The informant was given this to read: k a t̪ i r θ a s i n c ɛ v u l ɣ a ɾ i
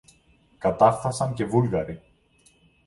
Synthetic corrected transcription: k a t̪ a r θ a s a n c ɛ v u l ɣ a ɾ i

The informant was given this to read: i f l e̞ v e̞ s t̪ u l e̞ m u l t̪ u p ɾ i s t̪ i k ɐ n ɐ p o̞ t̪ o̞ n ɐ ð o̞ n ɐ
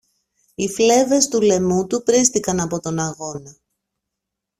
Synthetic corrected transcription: i f l e̞ v e̞ s t̪ u l e̞ m u t̪ u p ɾ i s t̪ i k ɐ n ɐ p o̞ t̪ o̞ n ɐ ɣ o̞ n ɐ

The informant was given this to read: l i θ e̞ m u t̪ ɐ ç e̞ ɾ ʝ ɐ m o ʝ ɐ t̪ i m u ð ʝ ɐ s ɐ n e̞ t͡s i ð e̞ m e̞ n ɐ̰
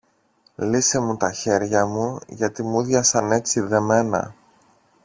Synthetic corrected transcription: l i s e̞ m u t̪ ɐ ç e̞ ɾ ʝ ɐ m u ʝ ɐ t̪ i m u ð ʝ ɐ s ɐ n e̞ t͡s i ð e̞ m e̞ n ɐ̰

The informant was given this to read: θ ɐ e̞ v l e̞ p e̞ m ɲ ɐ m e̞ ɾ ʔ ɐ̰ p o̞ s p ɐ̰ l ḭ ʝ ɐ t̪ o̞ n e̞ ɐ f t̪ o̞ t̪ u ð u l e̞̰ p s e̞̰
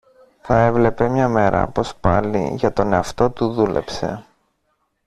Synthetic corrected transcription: θ ɐ e̞ v l e̞ p e̞ m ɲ ɐ m e̞ ɾ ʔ ɐ̰ p o̞ s p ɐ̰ l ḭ ʝ ɐ t̪ o̞ n e̞ ɐ f t̪ o̞ t̪ u ð u l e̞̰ p s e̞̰

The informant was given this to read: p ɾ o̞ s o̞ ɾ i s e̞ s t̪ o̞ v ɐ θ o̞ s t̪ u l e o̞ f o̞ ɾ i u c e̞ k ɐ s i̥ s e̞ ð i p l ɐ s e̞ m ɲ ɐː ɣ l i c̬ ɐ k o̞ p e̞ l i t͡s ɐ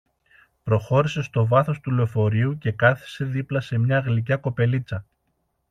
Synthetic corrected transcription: p ɾ o̞ x o̞ ɾ i s e̞ s t̪ o̞ v ɐ θ o̞ s t̪ u l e o̞ f o̞ ɾ i u c e̞ k ɐ θ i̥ s e̞ ð i p l ɐ s e̞ m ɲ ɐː ɣ l i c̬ ɐ k o̞ p e̞ l i t͡s ɐ

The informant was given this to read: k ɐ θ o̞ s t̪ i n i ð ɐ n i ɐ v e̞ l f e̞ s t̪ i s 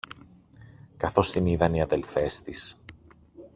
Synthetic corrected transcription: k ɐ θ o̞ s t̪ i n i ð ɐ n i ɐ ð e̞ l f e̞ s t̪ i s

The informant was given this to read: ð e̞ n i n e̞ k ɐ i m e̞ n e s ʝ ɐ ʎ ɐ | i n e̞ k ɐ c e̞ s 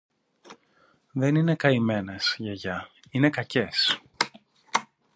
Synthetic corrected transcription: ð e̞ n i n e̞ k ɐ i m e̞ n e s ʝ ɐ ʝ ɐ | i n e̞ k ɐ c e̞ s

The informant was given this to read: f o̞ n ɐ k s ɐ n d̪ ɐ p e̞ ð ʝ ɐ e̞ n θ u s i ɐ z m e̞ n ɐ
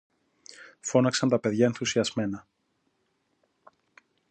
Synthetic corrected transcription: f o̞ n ɐ k s ɐ n t̪ ɐ p e̞ ð ʝ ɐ e̞ n θ u s i ɐ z m e̞ n ɐ

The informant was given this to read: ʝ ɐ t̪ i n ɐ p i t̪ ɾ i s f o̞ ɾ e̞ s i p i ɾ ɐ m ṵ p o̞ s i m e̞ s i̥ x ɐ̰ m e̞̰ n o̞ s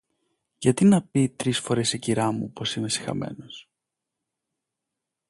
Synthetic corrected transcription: ʝ ɐ t̪ i n ɐ p i t̪ ɾ i s f o̞ ɾ e̞ s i c i ɾ ɐ m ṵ p o̞ s i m e̞ s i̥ x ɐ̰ m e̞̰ n o̞ s

